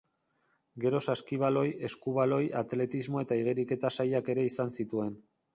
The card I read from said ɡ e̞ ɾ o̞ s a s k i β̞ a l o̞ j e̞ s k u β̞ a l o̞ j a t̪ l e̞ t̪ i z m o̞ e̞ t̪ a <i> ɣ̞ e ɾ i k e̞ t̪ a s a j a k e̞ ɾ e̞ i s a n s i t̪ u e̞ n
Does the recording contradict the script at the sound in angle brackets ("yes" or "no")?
no